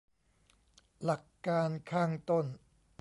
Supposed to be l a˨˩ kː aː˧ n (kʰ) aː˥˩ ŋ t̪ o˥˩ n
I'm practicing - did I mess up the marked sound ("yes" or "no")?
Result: no